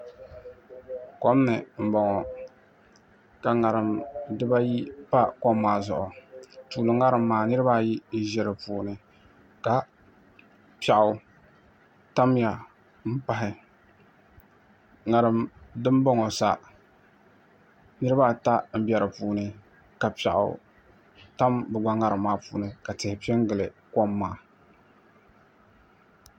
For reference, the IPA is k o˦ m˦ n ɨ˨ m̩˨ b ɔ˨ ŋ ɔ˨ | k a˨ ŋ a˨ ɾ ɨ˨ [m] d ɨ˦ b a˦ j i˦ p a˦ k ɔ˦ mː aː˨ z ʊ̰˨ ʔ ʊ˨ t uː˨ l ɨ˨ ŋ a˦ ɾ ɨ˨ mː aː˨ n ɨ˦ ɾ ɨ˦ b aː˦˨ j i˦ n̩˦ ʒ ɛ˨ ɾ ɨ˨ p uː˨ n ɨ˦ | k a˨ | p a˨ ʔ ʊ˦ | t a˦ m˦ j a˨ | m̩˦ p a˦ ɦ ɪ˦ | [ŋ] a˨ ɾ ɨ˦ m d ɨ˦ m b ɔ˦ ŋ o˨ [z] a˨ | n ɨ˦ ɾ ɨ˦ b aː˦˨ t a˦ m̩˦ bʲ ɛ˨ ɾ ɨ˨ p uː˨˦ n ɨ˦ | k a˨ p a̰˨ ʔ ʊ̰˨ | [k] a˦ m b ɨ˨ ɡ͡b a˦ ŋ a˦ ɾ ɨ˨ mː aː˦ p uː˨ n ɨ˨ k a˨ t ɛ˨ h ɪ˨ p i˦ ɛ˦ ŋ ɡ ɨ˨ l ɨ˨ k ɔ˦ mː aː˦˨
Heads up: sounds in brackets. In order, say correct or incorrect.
correct, correct, incorrect: s, incorrect: t

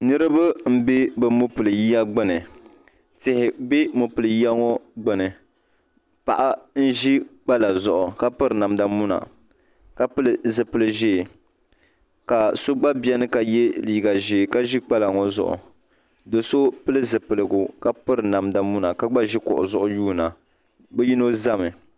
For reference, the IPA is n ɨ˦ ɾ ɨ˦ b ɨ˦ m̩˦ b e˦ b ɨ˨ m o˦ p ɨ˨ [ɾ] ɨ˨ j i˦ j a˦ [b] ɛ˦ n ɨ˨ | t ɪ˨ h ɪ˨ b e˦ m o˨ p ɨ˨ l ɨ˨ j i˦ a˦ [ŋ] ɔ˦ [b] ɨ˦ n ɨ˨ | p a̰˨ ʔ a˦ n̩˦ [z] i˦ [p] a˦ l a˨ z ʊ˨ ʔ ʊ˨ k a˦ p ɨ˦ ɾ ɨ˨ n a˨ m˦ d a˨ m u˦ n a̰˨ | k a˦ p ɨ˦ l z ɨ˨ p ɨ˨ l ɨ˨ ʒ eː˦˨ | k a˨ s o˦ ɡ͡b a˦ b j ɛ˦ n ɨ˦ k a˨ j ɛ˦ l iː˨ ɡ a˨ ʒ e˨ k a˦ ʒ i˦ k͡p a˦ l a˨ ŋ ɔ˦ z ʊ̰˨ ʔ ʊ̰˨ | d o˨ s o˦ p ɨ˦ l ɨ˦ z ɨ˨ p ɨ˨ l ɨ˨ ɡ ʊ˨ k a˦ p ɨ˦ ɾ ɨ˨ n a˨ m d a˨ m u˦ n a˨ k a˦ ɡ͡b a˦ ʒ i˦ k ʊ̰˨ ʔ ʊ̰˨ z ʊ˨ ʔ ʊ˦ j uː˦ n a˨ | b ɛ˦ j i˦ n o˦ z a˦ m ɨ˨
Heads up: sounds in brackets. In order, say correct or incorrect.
incorrect: l, incorrect: ɡ͡b, correct, incorrect: ɡ͡b, incorrect: ʒ, incorrect: k͡p

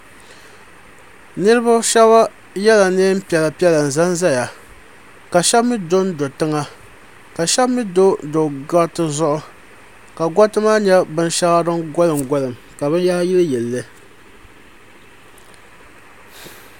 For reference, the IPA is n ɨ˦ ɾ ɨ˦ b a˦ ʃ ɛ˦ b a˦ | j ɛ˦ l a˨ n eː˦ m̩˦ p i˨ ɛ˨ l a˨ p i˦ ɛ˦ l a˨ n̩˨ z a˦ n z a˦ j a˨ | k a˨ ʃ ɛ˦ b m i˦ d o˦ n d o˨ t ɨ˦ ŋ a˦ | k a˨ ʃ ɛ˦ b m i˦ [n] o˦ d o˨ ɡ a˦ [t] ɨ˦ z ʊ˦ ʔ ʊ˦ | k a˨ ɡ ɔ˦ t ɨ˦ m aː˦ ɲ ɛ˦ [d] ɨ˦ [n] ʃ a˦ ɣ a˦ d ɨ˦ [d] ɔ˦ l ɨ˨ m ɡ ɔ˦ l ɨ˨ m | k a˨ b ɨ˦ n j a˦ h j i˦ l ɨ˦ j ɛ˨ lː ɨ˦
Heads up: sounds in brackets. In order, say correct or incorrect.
incorrect: d, correct, incorrect: b, correct, incorrect: ɡ

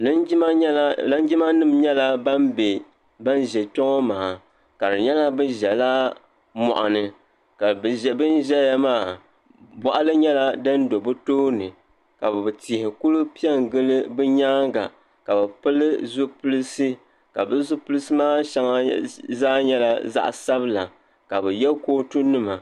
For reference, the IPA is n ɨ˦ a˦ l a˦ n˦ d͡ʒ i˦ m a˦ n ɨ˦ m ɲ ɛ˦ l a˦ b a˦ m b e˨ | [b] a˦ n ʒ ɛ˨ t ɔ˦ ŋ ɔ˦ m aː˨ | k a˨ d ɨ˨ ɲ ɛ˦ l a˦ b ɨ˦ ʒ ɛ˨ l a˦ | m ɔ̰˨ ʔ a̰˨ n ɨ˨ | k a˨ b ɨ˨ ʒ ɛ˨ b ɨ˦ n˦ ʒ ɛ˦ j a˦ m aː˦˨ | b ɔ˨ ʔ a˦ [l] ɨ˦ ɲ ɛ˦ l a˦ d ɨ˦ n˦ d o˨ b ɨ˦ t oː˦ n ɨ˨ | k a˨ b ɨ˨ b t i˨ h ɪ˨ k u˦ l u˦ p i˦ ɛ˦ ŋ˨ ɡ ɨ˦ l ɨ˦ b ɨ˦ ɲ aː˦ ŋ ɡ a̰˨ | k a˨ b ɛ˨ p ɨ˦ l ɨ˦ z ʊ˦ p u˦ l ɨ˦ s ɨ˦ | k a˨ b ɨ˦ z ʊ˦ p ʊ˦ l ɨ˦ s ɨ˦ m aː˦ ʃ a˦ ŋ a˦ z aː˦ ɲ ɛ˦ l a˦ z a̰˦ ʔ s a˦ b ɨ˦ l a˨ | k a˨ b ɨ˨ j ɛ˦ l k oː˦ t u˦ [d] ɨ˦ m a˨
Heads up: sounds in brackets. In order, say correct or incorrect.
correct, correct, incorrect: n

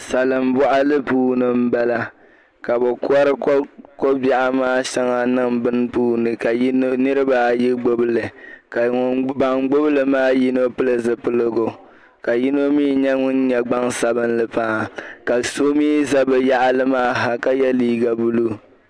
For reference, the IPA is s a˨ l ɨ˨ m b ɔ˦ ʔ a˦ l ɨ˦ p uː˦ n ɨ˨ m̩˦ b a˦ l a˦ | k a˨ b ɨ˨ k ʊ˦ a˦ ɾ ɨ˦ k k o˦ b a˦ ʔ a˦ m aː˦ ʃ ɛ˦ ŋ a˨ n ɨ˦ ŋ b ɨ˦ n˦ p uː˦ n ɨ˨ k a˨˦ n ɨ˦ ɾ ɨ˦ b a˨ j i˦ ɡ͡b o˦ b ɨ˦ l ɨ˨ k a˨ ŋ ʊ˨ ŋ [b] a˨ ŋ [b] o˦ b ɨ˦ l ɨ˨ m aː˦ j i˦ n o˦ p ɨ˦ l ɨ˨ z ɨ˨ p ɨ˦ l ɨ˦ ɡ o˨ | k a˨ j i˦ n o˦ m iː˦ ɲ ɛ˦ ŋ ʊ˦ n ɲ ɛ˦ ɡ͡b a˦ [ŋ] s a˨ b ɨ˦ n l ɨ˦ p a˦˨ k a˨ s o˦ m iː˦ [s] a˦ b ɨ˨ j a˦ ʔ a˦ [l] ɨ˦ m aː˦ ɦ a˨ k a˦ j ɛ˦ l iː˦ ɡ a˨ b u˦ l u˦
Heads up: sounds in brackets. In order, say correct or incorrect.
correct, incorrect: ɡ͡b, correct, incorrect: z, correct

